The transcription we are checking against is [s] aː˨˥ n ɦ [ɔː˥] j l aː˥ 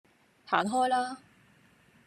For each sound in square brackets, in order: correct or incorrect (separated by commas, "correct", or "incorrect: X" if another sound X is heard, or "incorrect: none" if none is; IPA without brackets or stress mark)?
incorrect: h, correct